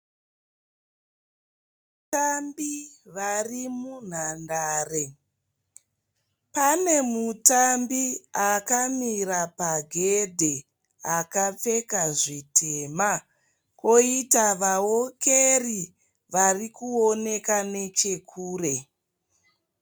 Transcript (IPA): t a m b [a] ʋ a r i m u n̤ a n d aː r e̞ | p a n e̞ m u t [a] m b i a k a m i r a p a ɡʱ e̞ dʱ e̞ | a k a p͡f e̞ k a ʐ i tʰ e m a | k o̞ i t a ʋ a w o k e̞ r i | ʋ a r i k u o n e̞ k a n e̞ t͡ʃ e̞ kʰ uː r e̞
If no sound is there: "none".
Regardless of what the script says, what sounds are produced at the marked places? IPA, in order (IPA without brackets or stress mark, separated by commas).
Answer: i, a